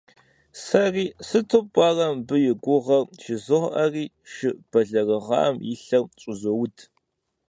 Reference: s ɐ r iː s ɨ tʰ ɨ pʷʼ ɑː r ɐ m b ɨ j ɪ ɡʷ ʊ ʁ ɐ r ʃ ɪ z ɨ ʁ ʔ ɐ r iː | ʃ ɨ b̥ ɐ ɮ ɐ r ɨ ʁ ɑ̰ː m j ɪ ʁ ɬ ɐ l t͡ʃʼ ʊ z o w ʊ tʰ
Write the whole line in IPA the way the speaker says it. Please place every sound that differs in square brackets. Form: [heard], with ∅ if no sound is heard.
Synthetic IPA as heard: s ɐ r iː s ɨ tʰ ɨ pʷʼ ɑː r ɐ m b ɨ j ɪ ɡʷ ʊ ʁ ɐ r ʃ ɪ z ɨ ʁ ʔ ɐ r iː | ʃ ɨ b̥ ɐ ɮ ɐ r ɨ ʁ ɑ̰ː m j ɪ [∅] ɬ ɐ [r] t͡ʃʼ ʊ z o w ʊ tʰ